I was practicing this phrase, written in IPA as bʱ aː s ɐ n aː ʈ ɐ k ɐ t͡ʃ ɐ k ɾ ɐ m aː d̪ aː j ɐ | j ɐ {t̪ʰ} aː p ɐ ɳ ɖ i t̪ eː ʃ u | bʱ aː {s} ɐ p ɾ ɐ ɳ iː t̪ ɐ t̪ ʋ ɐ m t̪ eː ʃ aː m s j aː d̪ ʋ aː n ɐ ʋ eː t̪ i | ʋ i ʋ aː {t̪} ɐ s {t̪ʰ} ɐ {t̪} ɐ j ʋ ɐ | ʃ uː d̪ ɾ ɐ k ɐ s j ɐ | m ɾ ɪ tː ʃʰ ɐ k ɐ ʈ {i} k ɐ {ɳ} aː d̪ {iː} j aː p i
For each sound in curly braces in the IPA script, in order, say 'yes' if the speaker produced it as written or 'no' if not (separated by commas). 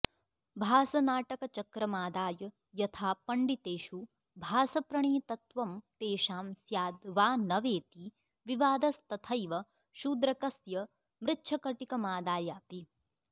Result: yes, yes, no, no, no, yes, no, no